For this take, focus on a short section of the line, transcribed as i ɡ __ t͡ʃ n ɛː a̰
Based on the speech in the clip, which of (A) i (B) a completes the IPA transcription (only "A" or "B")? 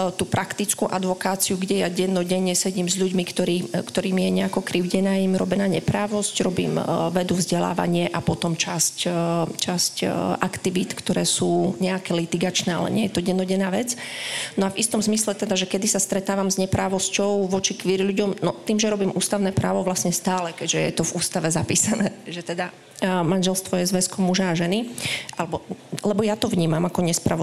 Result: B